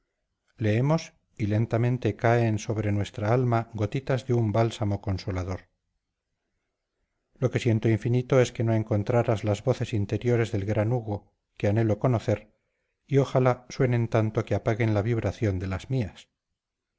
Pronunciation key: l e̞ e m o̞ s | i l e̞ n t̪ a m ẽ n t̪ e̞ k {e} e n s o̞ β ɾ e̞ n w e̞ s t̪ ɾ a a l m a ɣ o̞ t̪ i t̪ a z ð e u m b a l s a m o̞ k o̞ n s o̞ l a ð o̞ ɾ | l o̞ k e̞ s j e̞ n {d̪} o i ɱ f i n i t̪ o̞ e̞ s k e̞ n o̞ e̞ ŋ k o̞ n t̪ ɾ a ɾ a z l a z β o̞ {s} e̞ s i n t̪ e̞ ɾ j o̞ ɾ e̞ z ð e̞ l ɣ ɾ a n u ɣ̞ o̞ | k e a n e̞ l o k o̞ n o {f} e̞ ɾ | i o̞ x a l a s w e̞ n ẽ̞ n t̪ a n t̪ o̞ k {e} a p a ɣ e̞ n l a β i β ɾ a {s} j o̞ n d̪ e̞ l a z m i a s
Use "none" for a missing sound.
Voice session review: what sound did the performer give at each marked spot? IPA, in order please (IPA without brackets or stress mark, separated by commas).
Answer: a, t̪, θ, θ, e, θ